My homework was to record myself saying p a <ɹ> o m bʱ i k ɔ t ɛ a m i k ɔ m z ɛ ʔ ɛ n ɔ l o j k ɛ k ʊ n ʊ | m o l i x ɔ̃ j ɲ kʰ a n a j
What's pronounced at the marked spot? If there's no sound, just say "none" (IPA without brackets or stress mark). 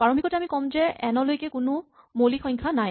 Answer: ɹ